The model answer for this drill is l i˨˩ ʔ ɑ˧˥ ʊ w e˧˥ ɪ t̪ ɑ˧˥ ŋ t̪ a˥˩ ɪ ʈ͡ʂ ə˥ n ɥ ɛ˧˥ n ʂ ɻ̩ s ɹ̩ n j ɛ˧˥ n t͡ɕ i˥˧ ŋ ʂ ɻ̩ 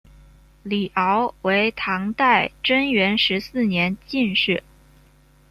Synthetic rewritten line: l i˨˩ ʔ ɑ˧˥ ʊ w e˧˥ ɪ t̪ʰ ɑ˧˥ ŋ t̪ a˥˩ ɪ ʈ͡ʂ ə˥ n ɥ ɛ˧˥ n ʂ ɻ̩ s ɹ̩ n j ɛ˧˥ n t͡ɕ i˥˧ n ʂ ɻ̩